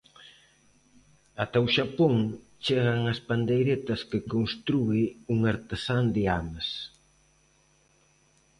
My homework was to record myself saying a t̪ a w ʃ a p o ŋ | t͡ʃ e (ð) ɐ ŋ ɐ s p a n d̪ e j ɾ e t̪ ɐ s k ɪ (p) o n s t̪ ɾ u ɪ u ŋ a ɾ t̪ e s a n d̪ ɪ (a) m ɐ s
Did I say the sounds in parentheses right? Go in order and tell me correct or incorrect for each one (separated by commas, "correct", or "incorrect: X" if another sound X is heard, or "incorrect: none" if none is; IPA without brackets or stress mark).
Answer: incorrect: ɣ, incorrect: k, correct